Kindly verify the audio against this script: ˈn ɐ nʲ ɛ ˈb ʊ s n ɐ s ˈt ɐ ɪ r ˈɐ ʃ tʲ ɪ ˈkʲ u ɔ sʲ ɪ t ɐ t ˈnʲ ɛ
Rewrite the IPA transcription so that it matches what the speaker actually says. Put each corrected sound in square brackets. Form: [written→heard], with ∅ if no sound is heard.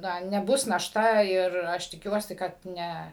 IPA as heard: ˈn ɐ nʲ ɛ ˈb ʊ s n ɐ [s→ʃ] ˈt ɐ ɪ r ˈɐ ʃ tʲ ɪ ˈkʲ u ɔ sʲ ɪ [t→k] ɐ t ˈnʲ ɛ